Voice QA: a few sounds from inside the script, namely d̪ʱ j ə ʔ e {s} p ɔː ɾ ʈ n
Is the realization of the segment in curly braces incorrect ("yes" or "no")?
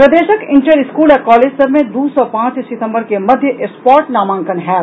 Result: no